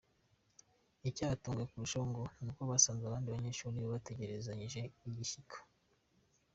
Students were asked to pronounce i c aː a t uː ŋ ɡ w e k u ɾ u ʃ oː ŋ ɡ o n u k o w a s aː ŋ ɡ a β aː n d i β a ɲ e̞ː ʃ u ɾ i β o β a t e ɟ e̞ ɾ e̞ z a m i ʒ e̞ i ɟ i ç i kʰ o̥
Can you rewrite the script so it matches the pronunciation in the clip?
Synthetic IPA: i c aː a t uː ŋ ɡ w e k u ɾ u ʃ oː ŋ ɡ o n u k o β a s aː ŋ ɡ a β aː n d i β a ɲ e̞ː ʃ u ɾ i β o β a t e ɟ e̞ ɾ e̞ z a ɲ i ʒ e̞ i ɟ i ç i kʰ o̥